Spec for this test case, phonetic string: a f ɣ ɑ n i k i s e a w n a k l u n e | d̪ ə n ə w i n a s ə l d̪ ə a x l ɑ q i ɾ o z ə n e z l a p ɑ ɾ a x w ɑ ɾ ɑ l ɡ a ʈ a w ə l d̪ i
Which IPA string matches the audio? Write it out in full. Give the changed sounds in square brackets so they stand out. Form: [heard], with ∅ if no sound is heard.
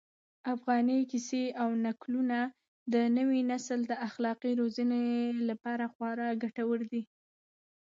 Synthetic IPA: a f ɣ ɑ n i k i s e a w n a k l u n [a] | d̪ ə n ə w i n a s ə l d̪ ə a x l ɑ q i ɾ o z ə n e [∅] l a p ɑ ɾ a x w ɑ ɾ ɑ [∅] ɡ a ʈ a w ə [ɾ] d̪ i